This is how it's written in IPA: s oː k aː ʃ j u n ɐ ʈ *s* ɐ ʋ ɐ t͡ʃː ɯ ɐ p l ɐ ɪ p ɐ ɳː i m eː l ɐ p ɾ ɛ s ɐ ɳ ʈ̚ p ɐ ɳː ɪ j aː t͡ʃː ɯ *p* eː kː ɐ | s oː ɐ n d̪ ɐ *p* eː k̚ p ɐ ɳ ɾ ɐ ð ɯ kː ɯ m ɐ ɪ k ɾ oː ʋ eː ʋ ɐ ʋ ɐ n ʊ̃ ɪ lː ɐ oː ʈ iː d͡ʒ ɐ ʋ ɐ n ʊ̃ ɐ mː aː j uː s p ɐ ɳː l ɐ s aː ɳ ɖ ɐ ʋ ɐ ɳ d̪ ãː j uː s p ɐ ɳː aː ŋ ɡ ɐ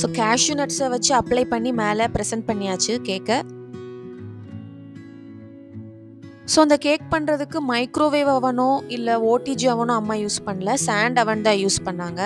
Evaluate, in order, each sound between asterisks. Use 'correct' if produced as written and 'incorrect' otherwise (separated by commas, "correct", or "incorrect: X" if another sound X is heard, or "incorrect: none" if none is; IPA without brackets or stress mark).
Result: correct, incorrect: k, incorrect: k